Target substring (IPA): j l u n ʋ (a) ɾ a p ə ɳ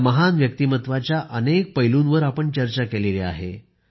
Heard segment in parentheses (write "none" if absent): ə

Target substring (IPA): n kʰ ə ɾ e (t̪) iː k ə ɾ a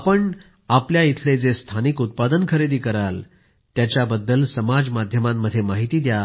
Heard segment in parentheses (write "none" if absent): d̪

